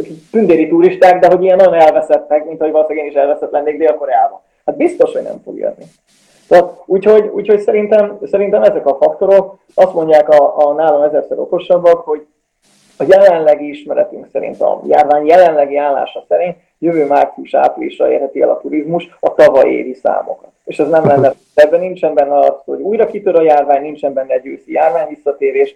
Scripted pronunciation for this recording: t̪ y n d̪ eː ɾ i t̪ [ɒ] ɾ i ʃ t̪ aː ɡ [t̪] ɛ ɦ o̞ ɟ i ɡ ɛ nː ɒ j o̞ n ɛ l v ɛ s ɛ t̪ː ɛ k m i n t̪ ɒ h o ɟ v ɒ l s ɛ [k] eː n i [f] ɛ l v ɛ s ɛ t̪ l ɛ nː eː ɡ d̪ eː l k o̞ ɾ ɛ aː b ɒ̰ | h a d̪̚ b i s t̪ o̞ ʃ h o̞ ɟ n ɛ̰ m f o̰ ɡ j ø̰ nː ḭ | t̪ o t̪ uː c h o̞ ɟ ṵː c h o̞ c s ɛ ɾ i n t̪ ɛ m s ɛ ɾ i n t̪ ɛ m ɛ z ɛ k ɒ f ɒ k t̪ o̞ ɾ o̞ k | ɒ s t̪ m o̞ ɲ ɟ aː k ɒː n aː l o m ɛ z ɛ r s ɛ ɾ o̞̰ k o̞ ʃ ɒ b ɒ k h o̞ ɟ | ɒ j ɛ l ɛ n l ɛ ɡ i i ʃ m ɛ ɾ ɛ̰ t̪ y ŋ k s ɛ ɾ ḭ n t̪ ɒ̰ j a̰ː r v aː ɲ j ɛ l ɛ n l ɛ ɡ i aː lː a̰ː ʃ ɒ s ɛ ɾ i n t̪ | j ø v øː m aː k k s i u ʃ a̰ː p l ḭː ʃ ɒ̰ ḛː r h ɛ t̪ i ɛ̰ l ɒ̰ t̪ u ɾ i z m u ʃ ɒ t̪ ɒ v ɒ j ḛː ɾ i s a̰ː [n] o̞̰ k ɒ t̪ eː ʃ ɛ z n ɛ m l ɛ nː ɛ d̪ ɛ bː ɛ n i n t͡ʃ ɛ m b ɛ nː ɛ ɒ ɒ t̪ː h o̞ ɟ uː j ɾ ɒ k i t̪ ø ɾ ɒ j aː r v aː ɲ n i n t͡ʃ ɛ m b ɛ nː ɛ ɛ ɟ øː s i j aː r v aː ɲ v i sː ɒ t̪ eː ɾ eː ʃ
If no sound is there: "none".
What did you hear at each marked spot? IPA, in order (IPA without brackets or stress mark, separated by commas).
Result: u, d̪, ɡ, ʃ, m